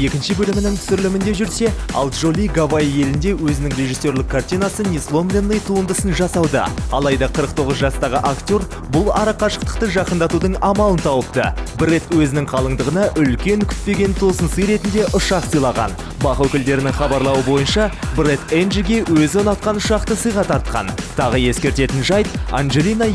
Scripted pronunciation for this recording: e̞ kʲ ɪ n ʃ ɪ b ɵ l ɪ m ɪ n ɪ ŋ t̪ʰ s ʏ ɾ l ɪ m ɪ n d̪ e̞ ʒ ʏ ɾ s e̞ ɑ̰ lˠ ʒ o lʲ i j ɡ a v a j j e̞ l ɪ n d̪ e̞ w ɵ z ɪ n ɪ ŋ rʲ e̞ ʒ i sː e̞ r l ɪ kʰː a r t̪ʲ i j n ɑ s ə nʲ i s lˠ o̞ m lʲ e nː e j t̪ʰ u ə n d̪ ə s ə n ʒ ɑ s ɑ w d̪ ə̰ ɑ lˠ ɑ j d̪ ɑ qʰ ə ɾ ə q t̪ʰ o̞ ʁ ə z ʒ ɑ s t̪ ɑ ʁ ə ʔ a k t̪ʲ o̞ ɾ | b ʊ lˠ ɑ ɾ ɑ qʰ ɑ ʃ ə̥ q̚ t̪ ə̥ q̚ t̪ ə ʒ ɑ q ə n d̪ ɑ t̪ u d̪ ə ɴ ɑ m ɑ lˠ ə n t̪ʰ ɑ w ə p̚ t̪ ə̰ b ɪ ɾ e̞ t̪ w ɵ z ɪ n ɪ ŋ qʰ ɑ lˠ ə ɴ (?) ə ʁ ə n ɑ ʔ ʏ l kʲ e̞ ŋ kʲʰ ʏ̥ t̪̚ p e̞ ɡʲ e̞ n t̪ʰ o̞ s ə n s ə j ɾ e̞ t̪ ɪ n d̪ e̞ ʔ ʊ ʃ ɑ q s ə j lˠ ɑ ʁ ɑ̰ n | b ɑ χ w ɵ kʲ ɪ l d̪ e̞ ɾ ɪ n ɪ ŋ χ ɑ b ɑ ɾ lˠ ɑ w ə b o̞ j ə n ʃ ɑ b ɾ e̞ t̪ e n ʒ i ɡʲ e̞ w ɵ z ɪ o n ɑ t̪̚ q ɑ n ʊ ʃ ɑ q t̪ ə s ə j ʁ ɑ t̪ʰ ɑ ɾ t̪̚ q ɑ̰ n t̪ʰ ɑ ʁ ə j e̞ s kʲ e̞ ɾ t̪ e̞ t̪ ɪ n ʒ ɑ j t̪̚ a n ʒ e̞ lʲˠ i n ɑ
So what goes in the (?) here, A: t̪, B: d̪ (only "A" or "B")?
B